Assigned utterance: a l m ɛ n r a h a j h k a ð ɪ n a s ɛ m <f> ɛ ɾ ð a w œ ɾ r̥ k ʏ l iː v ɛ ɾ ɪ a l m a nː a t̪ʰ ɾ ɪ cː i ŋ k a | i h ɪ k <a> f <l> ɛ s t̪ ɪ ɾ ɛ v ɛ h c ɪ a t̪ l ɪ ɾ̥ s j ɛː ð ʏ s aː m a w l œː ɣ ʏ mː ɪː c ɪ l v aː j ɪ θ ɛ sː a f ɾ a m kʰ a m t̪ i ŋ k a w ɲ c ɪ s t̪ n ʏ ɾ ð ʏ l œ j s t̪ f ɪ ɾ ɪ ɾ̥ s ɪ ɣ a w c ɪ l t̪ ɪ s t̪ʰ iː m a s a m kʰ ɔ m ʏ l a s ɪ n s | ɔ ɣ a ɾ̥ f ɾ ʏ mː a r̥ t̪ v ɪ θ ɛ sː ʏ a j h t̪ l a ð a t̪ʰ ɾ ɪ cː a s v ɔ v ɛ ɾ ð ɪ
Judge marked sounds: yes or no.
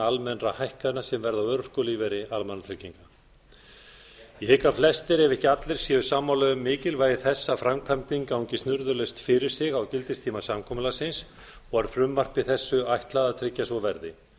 no, yes, yes

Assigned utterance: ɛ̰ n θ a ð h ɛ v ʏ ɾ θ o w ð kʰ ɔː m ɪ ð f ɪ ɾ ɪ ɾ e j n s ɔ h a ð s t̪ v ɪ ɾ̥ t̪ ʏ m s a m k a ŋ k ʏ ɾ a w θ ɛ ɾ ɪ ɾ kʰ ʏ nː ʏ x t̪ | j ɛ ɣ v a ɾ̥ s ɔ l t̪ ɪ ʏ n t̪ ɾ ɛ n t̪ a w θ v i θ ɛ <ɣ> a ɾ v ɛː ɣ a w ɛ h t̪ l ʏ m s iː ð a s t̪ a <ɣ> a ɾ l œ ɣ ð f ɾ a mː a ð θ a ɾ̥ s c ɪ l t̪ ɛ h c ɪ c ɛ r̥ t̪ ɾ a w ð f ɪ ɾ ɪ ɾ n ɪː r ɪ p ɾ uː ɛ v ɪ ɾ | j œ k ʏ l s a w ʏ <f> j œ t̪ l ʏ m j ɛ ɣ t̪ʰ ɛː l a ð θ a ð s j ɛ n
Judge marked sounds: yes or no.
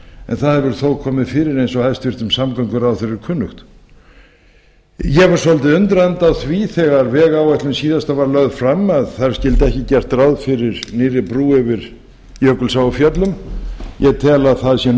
yes, no, yes

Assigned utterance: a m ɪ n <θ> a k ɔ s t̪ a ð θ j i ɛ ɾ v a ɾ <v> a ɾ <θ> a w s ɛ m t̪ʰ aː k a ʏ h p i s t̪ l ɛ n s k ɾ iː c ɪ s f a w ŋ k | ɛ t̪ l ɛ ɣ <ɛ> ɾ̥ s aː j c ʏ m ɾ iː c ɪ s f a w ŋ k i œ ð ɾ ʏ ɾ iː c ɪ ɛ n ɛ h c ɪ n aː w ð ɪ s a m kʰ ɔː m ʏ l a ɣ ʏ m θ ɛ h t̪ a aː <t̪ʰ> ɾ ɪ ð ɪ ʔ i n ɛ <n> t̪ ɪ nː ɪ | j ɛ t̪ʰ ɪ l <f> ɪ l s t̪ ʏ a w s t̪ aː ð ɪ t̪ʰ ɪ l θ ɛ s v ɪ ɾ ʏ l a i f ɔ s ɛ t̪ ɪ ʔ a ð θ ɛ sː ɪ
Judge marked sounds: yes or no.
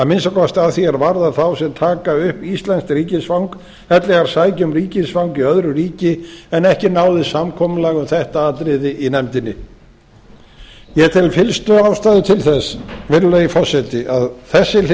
no, no, yes, no, no, no, yes

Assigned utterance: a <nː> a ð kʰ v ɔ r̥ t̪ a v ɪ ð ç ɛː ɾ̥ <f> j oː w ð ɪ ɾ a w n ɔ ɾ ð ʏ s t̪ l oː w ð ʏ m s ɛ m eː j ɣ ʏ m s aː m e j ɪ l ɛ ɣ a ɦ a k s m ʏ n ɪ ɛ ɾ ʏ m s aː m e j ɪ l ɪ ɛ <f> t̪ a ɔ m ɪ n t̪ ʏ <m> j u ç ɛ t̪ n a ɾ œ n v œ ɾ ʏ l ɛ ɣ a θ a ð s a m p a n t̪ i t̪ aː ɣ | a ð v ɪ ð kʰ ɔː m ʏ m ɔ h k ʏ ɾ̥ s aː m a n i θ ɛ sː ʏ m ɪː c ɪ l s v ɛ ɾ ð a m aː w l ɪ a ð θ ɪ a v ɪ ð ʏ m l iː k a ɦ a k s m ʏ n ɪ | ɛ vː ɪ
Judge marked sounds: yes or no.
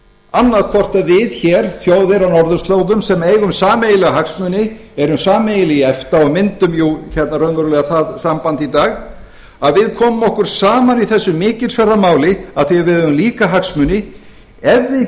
yes, no, yes, yes

